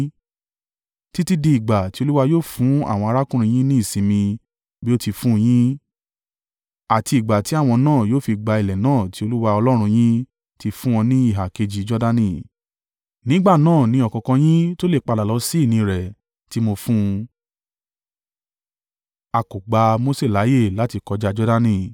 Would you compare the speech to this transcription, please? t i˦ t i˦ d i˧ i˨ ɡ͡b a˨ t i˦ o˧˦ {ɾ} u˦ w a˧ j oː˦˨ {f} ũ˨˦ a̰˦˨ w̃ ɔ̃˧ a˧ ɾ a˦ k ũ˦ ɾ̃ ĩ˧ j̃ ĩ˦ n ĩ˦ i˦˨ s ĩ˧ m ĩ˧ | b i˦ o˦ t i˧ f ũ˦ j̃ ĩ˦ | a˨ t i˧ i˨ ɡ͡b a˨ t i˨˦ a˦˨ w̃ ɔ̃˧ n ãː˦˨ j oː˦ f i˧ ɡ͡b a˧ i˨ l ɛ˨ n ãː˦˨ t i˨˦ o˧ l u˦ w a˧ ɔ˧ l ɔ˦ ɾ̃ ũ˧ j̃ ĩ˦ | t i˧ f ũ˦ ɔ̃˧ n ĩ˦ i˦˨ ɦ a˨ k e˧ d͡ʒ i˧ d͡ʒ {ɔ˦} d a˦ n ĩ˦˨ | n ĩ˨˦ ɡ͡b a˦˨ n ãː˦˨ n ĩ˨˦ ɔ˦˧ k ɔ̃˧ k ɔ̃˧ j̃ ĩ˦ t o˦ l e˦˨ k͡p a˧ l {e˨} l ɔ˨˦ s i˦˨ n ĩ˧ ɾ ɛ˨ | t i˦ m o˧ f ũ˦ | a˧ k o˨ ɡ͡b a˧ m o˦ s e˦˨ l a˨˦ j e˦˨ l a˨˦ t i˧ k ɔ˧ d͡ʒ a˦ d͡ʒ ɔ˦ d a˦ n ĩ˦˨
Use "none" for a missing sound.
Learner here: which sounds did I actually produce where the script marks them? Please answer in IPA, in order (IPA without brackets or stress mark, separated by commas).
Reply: l, f, ɔ˦, a˨